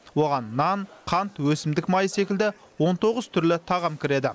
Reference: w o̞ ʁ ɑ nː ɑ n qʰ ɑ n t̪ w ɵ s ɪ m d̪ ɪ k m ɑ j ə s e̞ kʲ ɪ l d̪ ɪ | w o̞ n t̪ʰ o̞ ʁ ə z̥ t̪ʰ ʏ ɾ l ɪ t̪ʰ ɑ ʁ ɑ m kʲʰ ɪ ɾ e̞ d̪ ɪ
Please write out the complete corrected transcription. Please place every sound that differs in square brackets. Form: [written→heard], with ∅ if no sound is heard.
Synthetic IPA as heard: w o̞ ʁ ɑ nː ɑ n qʰ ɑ n t̪ w ɵ s ɪ m d̪ ɪ k m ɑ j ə s e̞ kʲ ɪ l d̪ ɪ | w o̞ n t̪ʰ o̞ ʁ ə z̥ t̪ʰ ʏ ɾ l ɪ t̪ʰ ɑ ʁ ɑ m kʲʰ ɪ ɾ e̞ d̪ ɪ